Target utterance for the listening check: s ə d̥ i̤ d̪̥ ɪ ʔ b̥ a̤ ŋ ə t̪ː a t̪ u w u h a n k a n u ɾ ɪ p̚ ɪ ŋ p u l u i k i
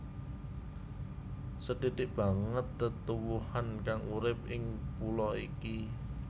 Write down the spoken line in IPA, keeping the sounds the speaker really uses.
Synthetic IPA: s ə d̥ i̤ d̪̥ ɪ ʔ b̥ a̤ ŋ ə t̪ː ə t̪ u w u h a n k a ŋ u ɾ ɪ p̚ ɪ ŋ p u l ɔ i k i